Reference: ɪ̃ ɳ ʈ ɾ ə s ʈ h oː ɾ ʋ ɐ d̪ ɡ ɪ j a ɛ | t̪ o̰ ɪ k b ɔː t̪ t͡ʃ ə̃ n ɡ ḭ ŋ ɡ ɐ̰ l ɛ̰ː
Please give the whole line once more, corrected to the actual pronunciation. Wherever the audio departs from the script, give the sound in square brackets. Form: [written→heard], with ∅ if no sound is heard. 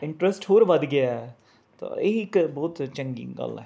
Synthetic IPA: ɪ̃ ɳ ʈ ɾ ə s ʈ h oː ɾ ʋ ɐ d̪ ɡ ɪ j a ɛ | t̪ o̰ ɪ k b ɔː t̪ t͡ʃ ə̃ [n→ŋ] ɡ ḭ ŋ ɡ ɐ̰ l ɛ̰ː